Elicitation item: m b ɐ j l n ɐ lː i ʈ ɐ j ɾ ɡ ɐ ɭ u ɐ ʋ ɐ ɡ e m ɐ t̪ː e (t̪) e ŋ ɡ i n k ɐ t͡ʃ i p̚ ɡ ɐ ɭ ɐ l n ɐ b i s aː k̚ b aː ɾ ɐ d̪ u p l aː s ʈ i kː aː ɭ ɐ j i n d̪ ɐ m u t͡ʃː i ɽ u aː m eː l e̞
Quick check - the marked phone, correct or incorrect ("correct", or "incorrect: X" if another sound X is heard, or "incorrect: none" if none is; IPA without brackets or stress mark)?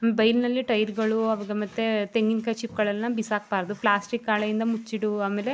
correct